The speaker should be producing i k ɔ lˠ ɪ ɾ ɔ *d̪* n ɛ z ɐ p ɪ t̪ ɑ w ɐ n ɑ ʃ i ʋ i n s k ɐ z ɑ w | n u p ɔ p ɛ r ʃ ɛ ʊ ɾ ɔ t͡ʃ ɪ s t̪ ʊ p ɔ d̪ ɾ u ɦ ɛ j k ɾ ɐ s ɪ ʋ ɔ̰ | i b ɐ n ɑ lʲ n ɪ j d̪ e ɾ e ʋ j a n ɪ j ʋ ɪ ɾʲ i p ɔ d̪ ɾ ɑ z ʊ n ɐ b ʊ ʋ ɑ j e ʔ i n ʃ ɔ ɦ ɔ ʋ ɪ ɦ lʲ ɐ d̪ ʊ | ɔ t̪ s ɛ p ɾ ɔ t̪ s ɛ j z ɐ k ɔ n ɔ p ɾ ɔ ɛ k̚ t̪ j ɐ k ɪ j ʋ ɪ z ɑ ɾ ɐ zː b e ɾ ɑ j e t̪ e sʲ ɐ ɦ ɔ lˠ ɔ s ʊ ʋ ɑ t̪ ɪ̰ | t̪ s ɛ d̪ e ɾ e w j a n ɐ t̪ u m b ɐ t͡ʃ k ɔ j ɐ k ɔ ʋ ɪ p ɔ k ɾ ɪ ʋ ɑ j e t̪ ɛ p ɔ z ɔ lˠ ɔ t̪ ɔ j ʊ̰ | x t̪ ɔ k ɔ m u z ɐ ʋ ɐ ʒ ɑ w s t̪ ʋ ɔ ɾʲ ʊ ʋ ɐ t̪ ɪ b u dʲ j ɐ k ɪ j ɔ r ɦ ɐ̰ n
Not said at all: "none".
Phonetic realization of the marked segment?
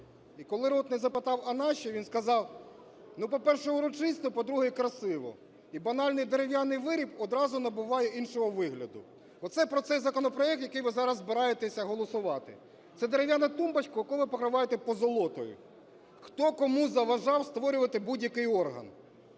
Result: t̪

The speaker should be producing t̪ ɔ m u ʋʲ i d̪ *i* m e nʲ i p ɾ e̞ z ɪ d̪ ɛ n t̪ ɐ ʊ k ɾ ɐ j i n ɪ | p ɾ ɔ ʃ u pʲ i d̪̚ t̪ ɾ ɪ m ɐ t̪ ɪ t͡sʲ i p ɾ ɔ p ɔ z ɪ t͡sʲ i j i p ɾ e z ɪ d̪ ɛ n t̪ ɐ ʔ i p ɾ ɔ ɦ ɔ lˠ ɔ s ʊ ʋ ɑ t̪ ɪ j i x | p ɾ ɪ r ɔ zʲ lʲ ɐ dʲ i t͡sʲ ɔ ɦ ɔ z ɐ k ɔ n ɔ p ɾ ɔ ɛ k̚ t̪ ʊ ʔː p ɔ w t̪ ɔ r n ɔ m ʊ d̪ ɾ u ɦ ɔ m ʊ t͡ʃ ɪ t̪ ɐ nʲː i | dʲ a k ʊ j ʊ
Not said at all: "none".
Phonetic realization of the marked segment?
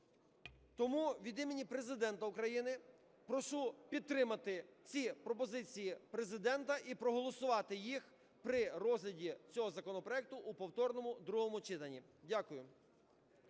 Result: i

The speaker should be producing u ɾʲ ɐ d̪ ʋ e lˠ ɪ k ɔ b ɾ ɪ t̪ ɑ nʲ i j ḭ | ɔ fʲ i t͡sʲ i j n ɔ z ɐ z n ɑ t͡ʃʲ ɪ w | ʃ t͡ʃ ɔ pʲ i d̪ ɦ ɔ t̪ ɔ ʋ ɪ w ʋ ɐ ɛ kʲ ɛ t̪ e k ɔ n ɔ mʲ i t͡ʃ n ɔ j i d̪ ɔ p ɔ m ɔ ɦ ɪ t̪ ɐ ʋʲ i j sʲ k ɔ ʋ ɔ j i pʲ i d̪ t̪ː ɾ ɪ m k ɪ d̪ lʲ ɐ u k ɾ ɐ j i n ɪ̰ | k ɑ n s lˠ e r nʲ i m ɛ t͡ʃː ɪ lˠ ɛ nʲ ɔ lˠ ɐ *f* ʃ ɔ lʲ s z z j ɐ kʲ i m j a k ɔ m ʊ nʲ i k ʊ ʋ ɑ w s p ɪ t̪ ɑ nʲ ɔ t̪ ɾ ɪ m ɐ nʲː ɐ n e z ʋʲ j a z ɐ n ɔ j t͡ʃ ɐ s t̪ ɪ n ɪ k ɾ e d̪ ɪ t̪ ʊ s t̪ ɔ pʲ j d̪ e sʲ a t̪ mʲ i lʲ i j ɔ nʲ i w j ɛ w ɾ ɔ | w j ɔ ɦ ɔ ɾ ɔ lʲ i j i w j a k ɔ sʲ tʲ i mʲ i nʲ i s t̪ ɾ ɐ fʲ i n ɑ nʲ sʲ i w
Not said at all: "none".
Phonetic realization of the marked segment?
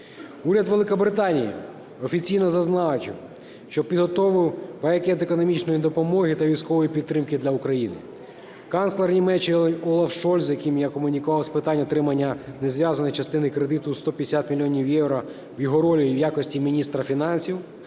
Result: f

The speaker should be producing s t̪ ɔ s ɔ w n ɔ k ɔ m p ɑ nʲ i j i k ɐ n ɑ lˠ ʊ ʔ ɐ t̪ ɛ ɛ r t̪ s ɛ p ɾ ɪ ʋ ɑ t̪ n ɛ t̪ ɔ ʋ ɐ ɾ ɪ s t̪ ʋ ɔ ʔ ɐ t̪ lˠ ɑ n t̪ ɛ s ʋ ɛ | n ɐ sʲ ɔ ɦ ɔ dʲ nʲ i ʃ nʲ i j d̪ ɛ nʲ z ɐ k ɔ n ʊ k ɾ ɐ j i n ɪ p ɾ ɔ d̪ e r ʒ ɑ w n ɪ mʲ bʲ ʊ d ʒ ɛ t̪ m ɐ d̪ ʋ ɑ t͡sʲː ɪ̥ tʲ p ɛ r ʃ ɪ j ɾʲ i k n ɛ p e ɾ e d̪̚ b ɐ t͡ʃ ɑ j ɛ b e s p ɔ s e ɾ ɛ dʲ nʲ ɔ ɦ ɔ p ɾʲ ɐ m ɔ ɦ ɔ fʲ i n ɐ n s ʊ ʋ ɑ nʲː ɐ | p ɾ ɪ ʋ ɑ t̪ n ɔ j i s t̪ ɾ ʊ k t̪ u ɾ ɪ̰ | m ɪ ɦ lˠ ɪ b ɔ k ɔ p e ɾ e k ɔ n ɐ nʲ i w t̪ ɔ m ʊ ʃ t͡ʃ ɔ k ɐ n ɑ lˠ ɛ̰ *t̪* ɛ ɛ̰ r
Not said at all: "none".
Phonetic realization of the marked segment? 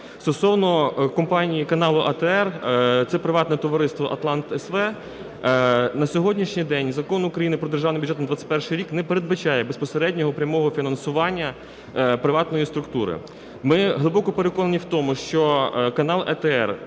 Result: t̪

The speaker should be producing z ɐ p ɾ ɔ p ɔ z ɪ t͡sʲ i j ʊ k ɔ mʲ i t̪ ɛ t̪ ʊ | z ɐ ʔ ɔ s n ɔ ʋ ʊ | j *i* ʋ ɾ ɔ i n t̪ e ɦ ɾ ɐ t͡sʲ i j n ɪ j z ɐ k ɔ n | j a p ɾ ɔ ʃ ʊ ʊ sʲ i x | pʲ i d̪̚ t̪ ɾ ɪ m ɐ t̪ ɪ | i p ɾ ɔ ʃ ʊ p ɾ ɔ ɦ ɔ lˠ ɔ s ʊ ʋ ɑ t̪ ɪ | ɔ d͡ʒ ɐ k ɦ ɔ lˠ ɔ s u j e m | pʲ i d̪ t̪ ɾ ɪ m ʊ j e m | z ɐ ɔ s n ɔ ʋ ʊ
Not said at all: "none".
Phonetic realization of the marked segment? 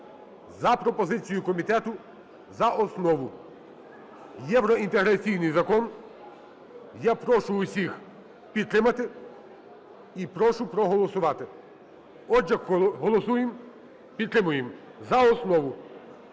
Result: ɛ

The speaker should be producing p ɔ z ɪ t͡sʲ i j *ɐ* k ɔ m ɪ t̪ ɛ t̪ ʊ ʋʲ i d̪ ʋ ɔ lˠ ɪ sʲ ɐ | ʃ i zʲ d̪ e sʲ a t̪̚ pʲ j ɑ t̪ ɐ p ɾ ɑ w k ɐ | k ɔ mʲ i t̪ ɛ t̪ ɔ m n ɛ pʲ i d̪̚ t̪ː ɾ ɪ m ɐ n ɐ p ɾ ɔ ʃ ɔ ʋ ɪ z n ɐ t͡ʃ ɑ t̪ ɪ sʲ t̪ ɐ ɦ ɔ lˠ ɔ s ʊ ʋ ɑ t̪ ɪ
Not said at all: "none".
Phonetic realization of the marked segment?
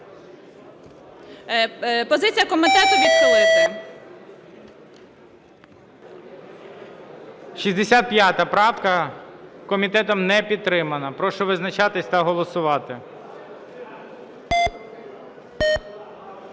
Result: ɐ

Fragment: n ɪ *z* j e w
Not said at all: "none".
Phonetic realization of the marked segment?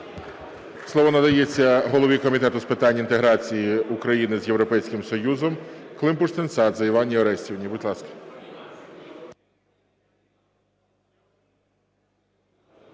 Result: z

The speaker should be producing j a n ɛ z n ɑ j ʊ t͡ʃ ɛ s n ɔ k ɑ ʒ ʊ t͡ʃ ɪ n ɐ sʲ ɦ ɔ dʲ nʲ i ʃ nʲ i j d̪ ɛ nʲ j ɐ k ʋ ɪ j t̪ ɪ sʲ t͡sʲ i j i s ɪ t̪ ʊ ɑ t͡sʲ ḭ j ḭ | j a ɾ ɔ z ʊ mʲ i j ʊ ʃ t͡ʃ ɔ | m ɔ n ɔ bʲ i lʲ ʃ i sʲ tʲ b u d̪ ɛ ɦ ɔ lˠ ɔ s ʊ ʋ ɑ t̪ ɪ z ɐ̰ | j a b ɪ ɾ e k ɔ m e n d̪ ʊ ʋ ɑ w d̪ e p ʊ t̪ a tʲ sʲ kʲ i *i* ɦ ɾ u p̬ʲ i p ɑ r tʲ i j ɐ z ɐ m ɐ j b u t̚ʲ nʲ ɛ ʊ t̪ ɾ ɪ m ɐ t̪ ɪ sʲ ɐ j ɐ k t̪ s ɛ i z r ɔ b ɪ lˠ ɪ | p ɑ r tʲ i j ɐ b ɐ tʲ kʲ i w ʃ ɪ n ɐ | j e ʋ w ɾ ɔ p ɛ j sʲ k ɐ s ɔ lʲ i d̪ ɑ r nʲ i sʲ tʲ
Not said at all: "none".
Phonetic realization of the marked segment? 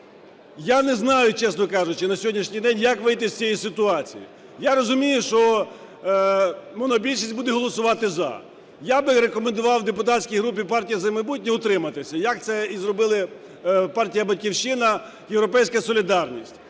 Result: j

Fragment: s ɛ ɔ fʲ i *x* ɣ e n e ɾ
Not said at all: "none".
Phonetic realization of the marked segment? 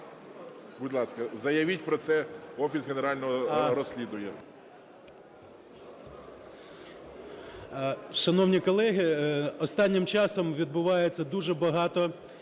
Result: s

